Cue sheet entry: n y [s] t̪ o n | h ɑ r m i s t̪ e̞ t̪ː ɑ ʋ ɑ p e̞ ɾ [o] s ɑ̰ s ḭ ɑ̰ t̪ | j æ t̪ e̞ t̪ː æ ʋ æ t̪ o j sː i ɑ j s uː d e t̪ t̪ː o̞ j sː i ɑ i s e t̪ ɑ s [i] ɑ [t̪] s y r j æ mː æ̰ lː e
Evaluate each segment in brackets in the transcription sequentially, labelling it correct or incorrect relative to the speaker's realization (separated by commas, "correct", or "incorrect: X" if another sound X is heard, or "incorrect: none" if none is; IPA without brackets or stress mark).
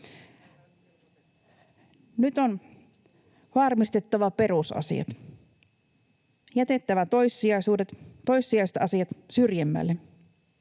incorrect: none, incorrect: u, correct, correct